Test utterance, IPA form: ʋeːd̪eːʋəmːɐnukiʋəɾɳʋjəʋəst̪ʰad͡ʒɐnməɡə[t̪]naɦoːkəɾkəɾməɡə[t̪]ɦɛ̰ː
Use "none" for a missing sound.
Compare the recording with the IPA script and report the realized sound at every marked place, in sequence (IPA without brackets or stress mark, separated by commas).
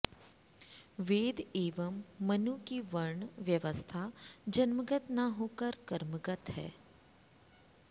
t̪, t̪